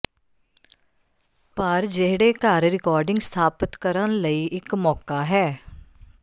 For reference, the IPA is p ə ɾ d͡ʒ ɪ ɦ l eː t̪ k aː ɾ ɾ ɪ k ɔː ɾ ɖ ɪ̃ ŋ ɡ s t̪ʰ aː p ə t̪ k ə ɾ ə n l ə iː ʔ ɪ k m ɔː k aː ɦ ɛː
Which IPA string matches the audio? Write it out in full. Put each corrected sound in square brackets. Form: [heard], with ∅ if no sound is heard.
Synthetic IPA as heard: p ə ɾ d͡ʒ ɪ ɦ [ɽ] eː [∅] k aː ɾ ɾ ɪ k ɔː ɾ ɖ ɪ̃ ŋ ɡ s t̪ʰ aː p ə t̪ k ə ɾ ə n l ə iː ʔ ɪ k m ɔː k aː ɦ ɛː